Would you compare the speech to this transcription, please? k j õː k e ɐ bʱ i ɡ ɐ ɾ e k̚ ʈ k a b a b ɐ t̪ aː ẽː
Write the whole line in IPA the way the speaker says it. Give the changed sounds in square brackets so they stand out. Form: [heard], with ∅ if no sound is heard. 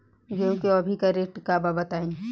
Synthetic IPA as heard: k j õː k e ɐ bʱ i [k] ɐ ɾ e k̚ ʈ k a b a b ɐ t̪ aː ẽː